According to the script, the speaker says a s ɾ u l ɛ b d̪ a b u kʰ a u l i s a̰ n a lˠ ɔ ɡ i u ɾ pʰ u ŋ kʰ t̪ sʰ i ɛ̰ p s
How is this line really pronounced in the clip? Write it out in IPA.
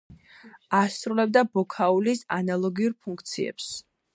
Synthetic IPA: a s ɾ u l ɛ b d̪ a b ɔ kʰ a u l i s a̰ n a lˠ ɔ ɡ i u ɾ pʰ u ŋ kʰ t̪ sʰ i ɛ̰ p s